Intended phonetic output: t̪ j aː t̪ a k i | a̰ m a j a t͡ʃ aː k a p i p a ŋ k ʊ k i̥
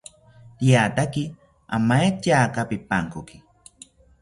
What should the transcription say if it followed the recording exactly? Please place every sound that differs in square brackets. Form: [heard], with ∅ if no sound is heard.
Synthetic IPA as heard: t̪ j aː t̪ a k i | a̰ m a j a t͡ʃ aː k a p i p a ŋ k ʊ k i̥